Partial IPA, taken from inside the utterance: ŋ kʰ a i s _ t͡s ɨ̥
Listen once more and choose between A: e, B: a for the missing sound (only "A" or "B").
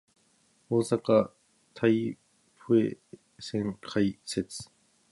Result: A